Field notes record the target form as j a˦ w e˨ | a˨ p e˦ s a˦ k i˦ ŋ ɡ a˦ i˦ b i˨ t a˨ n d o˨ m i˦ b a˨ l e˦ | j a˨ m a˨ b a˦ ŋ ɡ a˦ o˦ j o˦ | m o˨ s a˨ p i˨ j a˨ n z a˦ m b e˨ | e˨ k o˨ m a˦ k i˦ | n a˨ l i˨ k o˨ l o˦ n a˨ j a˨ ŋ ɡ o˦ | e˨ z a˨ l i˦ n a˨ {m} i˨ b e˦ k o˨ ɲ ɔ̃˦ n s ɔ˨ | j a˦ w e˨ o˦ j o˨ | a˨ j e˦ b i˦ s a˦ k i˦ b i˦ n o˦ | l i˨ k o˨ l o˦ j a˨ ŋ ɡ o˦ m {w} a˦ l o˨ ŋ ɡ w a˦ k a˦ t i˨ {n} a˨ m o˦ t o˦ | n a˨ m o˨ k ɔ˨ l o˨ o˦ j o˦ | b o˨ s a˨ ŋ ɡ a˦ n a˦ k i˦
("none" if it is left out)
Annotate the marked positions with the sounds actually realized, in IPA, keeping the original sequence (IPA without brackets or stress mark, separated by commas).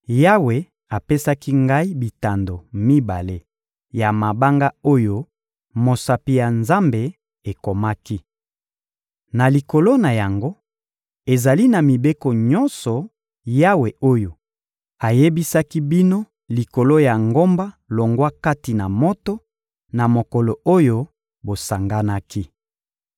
m, b, n